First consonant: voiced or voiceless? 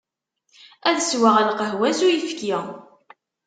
voiced